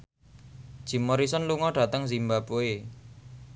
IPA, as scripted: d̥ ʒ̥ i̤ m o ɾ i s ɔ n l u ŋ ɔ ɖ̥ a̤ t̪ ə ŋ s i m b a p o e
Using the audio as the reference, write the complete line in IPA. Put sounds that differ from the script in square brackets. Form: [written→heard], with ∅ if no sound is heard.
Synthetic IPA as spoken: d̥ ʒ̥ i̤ m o ɾ i s ɔ n l u ŋ ɔ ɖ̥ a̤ t̪ ə ŋ [s→z] i m b a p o e

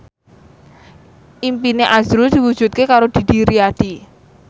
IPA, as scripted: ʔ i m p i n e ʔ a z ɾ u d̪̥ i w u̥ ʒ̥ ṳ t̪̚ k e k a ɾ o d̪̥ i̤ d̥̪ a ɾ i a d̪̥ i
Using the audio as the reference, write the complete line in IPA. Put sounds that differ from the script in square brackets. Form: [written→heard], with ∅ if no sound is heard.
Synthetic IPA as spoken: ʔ i m p i n e ʔ a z ɾ u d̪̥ i w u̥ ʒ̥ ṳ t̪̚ k e k a ɾ o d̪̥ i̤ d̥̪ [a→i] ɾ i a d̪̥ i

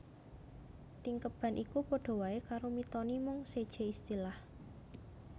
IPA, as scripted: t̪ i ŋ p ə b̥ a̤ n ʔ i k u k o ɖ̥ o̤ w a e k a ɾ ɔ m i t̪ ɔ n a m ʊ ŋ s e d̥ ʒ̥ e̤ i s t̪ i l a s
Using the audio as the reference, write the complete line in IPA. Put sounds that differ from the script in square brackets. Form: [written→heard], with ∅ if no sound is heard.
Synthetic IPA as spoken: t̪ i ŋ [p→k] ə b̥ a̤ n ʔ i k u [k→p] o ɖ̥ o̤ w a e k a ɾ [ɔ→o] m i t̪ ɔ n [a→i] m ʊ ŋ s e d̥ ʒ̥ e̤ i s t̪ i l a [s→h]

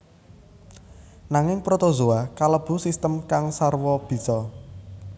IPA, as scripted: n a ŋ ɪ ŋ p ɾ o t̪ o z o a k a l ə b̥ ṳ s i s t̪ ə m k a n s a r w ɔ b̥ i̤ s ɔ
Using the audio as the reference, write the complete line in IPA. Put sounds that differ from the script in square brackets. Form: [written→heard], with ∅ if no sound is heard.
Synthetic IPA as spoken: n a ŋ ɪ ŋ p ɾ o t̪ o z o a k a l ə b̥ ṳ s i s t̪ ə m k a [n→ŋ] s a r w ɔ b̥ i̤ s ɔ

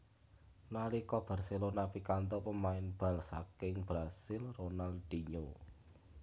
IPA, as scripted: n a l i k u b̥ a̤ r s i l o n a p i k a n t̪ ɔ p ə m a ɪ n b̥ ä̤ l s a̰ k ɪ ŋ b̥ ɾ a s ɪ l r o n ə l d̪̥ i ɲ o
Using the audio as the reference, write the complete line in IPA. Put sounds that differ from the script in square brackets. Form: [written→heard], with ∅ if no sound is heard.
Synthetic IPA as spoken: n a l i k [u→ɔ] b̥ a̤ r s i l o n a p i k a n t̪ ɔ p ə m a ɪ n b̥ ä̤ l s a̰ k ɪ ŋ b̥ ɾ a s ɪ l r o n [ə→a] l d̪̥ i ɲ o

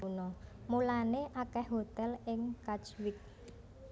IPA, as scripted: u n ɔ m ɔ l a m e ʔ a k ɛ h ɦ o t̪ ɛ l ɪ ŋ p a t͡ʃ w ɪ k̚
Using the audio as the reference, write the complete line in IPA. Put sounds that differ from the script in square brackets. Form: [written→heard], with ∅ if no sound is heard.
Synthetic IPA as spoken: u n ɔ m [ɔ→u] l a [m→n] e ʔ a k ɛ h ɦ o t̪ ɛ l ɪ ŋ [p→k] a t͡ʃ w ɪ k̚

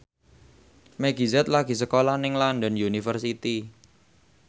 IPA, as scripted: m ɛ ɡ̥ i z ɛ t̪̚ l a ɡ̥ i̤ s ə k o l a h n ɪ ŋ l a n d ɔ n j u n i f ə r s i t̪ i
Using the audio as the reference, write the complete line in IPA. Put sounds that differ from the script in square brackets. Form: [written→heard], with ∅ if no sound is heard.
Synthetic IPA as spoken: m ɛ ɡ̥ i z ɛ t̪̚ l a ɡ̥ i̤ s ə k o l a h n ɪ ŋ l a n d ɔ n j u n i f ə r s i t̪ i

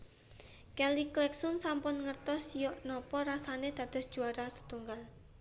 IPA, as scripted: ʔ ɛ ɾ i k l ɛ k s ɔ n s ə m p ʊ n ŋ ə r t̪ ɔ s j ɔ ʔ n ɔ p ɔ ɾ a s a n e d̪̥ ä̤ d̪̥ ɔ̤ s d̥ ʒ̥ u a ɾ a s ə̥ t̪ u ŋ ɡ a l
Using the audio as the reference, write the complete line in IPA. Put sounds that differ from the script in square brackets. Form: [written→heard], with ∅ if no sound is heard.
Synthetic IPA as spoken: [ʔ→k] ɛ [ɾ→l] i k l ɛ k s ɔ n s [ə→a] m p ʊ n ŋ ə r t̪ ɔ s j ɔ ʔ n ɔ p ɔ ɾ a s a n e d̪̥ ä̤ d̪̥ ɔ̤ s d̥ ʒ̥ u a ɾ a s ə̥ t̪ u ŋ ɡ a l

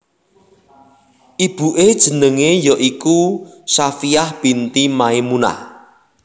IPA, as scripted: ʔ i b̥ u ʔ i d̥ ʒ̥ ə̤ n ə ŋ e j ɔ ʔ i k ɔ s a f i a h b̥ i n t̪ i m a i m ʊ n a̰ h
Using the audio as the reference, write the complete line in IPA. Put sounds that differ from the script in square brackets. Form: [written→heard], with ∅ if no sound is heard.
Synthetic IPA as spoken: ʔ i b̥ u ʔ [i→e] d̥ ʒ̥ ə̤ n ə ŋ e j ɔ ʔ i k [ɔ→u] s a f i a h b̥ i n t̪ i m a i m [ʊ→u] n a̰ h

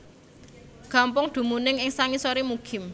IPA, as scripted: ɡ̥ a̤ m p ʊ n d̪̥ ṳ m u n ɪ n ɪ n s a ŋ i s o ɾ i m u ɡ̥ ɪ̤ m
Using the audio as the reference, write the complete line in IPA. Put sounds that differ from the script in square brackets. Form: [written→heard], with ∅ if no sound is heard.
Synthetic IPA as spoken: ɡ̥ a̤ m p ʊ [n→ŋ] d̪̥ ṳ m u n ɪ [n→ŋ] ɪ [n→ŋ] s a ŋ i s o ɾ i m u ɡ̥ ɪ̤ m

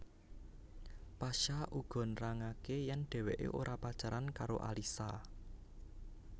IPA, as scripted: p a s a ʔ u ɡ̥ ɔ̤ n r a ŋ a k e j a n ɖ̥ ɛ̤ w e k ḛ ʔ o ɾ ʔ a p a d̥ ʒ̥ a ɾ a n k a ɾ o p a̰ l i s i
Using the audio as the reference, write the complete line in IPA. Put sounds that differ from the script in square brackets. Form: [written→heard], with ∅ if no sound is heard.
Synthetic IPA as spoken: p a [s→ʃ] a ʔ u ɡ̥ ɔ̤ n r a ŋ a k e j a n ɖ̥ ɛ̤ w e [k→ʔ] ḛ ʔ o ɾ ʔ a p a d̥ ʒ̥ a ɾ a n k a ɾ o [p→ʔ] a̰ l i s [i→a]

